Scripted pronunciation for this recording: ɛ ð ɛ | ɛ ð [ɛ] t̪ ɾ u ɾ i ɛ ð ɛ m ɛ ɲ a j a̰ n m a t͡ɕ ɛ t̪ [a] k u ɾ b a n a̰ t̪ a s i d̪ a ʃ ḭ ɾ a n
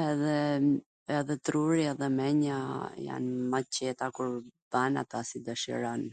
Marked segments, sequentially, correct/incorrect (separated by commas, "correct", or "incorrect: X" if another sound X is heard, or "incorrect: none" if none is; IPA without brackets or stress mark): correct, correct